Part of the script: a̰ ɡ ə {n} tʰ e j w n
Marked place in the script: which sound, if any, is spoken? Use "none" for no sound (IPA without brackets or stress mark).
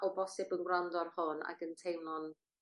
n